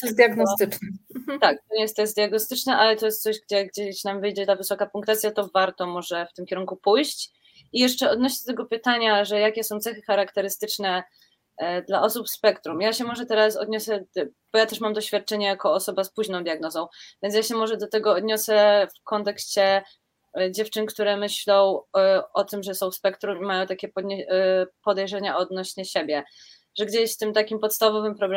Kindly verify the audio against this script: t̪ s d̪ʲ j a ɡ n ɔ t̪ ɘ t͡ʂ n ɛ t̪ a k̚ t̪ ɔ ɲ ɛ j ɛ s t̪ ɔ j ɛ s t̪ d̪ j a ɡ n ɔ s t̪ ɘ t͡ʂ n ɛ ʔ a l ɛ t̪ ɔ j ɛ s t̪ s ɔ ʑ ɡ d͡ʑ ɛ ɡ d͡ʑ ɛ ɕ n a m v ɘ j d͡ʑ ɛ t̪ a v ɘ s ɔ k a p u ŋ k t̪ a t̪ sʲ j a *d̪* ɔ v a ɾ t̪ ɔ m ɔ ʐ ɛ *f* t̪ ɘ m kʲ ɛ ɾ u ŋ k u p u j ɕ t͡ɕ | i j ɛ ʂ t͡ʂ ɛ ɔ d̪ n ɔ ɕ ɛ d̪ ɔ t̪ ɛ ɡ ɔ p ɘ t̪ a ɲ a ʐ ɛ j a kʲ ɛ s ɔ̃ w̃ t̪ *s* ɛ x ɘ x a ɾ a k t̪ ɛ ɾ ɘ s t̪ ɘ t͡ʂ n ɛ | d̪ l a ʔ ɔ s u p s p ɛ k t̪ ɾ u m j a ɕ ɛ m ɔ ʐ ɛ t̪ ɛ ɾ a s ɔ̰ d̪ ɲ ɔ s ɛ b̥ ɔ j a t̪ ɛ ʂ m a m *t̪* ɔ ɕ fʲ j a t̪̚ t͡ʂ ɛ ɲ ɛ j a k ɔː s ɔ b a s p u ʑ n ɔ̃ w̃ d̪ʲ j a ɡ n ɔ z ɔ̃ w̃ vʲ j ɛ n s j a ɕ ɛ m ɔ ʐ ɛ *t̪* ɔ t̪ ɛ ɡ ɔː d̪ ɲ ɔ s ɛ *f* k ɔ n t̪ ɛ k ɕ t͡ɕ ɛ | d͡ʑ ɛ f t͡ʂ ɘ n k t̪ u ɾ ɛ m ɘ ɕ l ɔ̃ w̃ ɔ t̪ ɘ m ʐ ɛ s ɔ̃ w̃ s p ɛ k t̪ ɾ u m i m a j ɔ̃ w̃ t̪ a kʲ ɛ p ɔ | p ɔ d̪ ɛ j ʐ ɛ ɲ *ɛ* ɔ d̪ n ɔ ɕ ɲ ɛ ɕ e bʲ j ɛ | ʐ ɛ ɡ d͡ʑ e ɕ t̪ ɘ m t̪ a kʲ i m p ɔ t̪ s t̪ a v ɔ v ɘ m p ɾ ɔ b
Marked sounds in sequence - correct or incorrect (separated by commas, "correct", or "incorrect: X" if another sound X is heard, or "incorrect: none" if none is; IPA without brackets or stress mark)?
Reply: incorrect: t̪, correct, correct, incorrect: d̪, incorrect: d̪, correct, incorrect: a